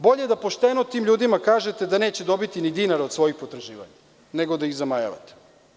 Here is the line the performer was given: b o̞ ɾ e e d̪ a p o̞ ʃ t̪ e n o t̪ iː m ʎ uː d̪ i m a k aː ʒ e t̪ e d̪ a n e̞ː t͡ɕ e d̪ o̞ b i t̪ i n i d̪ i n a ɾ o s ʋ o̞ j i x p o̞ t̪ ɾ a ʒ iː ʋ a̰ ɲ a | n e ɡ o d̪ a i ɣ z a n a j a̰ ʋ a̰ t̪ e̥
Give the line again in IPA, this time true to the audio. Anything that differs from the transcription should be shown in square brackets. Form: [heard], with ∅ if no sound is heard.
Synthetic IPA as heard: b o̞ [ʎ] e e d̪ a p o̞ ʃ t̪ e n o t̪ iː m ʎ uː d̪ i m a k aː ʒ e t̪ e d̪ a n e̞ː t͡ɕ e d̪ o̞ b i t̪ i n i d̪ i n a ɾ o s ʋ o̞ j i x p o̞ t̪ ɾ a ʒ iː ʋ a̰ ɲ a | n e ɡ o d̪ a i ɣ z a [m] a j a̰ ʋ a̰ t̪ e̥